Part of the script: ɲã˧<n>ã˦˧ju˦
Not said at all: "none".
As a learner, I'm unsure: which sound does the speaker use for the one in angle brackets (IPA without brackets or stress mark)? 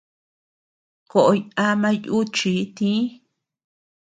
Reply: m